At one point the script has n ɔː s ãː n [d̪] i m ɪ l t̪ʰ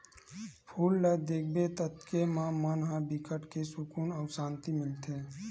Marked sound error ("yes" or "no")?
yes